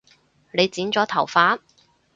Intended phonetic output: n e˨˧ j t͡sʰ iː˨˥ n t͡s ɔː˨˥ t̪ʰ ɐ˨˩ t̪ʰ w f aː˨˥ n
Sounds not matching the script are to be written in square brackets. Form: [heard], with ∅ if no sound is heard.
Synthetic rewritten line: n e˨˧ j [t͡s] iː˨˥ n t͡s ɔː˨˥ t̪ʰ ɐ˨˩ [∅] w f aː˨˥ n